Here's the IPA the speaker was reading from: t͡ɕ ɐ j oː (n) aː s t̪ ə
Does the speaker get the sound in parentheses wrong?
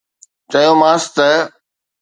yes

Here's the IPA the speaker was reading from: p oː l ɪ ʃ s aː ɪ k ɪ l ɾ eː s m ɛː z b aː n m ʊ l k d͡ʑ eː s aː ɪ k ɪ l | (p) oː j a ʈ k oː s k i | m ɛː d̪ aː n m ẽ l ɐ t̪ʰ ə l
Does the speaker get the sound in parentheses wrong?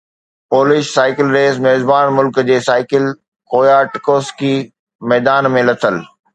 yes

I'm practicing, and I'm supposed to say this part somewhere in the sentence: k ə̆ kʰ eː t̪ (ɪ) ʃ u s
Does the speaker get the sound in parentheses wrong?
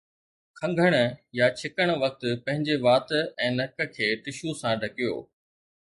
no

